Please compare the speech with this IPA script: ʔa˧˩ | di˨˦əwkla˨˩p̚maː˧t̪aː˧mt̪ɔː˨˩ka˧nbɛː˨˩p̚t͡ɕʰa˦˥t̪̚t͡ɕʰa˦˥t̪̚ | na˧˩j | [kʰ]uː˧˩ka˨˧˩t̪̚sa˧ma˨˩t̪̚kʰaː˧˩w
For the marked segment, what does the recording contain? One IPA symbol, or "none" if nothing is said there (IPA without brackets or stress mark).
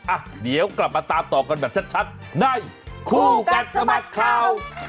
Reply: kʰ